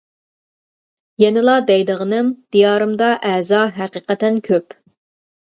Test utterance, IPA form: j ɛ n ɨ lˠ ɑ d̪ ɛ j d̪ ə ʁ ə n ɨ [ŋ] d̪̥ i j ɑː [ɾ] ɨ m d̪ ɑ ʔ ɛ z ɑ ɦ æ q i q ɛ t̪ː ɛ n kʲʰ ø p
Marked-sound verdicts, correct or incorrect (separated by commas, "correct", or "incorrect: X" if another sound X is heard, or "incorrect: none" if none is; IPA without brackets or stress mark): incorrect: m, correct